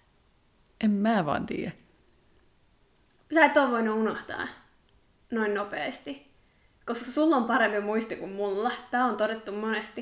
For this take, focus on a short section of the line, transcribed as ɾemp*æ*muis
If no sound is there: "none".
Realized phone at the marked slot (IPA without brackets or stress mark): i